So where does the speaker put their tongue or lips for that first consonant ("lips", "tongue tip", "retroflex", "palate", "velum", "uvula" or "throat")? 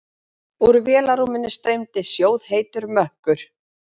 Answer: tongue tip